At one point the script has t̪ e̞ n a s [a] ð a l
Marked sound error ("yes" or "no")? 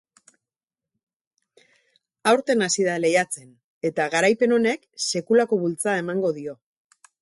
yes